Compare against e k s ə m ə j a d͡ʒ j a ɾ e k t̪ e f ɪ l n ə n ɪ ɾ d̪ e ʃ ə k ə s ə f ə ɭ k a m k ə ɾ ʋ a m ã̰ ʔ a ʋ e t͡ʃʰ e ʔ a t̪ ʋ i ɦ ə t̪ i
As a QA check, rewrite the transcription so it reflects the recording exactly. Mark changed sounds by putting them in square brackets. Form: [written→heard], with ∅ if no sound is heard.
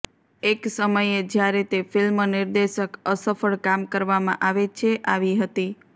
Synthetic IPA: e k s ə m ə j [a→e] d͡ʒ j a ɾ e [k→∅] t̪ e f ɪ l [n→m] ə n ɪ ɾ d̪ e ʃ ə k ə s ə f ə ɭ k a m k ə ɾ ʋ a m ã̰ ʔ a ʋ e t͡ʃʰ e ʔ a [t̪→∅] ʋ i ɦ ə t̪ i

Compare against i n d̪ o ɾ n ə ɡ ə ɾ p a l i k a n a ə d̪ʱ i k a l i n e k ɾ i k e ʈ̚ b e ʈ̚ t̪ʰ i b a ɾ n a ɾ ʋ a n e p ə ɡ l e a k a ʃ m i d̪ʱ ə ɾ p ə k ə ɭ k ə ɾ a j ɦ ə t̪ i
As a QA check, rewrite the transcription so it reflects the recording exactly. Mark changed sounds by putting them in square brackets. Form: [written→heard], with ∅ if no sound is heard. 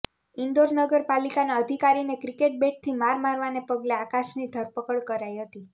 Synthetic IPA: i n d̪ o ɾ n ə ɡ ə ɾ p a l i k a n a ə d̪ʱ i k a [l→ɾ] i n e k ɾ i k e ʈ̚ b e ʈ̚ t̪ʰ i [b→m] a ɾ [n→m] a ɾ ʋ a n e p ə ɡ l e a k a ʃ [m→n] i d̪ʱ ə ɾ p ə k ə ɭ k ə ɾ a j ɦ ə t̪ i

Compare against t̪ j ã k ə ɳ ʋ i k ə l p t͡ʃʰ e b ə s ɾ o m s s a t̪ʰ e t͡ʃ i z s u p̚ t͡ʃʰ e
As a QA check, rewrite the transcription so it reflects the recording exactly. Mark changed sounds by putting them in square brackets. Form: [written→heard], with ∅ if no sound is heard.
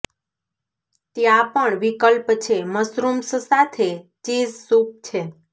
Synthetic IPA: t̪ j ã [k→p] ə ɳ ʋ i k ə l p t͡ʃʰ e [b→m] ə s ɾ [o→u] m s s a t̪ʰ e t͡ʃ i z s u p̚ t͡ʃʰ e

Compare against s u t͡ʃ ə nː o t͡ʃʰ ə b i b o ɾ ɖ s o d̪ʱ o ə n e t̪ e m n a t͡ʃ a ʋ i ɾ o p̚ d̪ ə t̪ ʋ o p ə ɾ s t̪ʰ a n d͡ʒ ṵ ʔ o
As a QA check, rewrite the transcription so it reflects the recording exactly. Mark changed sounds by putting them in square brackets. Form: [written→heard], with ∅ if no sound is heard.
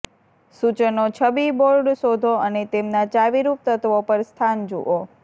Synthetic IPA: s u t͡ʃ ə [nː→n] o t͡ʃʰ ə b i b o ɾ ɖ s o d̪ʱ o ə n e t̪ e m n a t͡ʃ a ʋ i ɾ [o→u] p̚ [d̪→t̪] ə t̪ ʋ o p ə ɾ s t̪ʰ a n d͡ʒ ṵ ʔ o

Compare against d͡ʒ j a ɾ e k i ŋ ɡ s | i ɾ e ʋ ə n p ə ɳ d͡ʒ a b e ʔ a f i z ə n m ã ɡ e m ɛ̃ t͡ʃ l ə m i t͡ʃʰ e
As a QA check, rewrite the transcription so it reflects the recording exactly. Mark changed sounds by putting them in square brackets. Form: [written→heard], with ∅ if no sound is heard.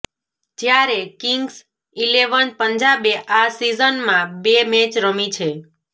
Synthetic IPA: d͡ʒ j a ɾ e k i ŋ ɡ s | i [ɾ→l] e ʋ ə n p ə [ɳ→ɲ] d͡ʒ a b e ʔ a [f→s] i z ə n m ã [ɡ→b] e m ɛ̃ t͡ʃ [l→ɾ] ə m i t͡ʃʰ e

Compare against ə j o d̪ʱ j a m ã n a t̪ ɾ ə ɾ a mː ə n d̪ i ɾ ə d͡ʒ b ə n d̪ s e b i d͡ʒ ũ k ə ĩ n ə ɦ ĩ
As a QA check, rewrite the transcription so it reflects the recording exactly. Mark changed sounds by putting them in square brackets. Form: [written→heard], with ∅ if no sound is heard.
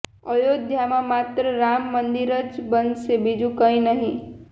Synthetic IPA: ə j o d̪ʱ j a m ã [n→m] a t̪ ɾ ə ɾ a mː ə n d̪ i ɾ ə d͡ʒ b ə n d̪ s e b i d͡ʒ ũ k ə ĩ n ə ɦ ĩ

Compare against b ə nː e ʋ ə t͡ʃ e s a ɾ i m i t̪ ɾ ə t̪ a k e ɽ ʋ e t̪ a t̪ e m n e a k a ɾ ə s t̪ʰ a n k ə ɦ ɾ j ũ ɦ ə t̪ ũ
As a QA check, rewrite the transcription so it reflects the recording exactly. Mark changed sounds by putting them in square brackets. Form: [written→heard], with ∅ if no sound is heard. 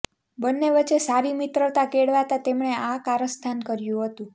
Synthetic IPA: b ə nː e ʋ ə t͡ʃ e s a ɾ i m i t̪ ɾ ə t̪ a k e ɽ ʋ [e→a] t̪ a t̪ e m [n→ɳ] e a k a ɾ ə s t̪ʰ a n k ə [ɦ→∅] ɾ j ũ ɦ ə t̪ ũ

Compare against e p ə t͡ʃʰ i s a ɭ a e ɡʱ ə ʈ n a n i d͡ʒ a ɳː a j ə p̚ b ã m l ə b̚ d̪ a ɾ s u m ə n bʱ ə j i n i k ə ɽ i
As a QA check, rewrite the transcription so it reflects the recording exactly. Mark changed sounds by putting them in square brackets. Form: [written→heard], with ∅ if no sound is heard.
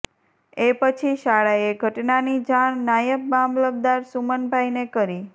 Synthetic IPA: e p ə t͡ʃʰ i [s→ʃ] a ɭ a e ɡʱ ə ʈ n a n i d͡ʒ a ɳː a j ə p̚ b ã m l ə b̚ d̪ a ɾ s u m ə n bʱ [ə→a] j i n [i→e] k ə [ɽ→ɾ] i

